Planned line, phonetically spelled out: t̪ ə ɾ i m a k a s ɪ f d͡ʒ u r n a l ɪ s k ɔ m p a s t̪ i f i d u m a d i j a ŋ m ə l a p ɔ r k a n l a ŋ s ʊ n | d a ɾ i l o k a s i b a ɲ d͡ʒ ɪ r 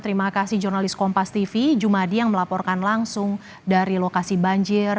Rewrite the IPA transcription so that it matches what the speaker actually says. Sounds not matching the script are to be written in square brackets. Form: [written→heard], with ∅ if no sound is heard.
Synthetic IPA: t̪ ə ɾ i m a k a s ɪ [f→h] d͡ʒ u r n a l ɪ s k ɔ m p a s t̪ i f i [d→d͡ʒ] u m a d i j a ŋ m ə l a p ɔ r k a n l a ŋ s ʊ [n→ŋ] | d a ɾ i l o k a s i b a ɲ d͡ʒ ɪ r